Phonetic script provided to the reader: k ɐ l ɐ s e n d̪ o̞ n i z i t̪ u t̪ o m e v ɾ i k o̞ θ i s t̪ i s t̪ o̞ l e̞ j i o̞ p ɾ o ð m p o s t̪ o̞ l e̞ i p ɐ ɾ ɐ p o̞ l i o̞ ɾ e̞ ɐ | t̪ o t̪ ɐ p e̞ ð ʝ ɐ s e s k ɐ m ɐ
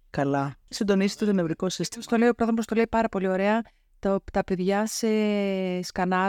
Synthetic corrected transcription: k ɐ l ɐ s i n d̪ o̞ n i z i t̪ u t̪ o n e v ɾ i k o̞ s i s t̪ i s t̪ o̞ l e̞ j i o̞ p ɾ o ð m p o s t̪ o̞ l e̞ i p ɐ ɾ ɐ p o̞ l i o̞ ɾ e̞ ɐ | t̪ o t̪ ɐ p e̞ ð ʝ ɐ s e s k ɐ n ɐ